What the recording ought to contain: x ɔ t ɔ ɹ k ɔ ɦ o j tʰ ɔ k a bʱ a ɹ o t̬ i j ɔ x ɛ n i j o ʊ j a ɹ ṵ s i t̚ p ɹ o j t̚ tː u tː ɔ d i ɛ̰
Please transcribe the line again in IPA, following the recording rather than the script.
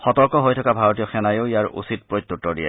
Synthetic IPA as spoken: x ɔ t ɔ ɹ k ɔ ɦ o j tʰ ɔ k a bʱ a ɹ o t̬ i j ɔ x ɛ n a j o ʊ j a ɹ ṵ s i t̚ p ɹ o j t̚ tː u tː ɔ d i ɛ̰